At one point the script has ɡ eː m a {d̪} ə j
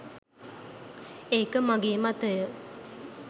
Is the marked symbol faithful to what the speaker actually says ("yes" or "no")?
no